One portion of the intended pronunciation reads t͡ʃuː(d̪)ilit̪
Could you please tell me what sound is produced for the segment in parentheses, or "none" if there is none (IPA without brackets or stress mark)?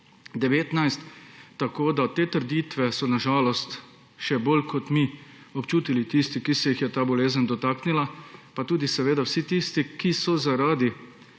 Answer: t̪